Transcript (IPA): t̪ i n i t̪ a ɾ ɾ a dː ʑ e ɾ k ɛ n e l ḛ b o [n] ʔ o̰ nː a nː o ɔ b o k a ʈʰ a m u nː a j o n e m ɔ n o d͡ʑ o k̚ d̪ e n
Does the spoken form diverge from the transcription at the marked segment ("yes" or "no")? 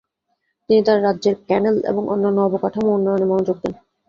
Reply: yes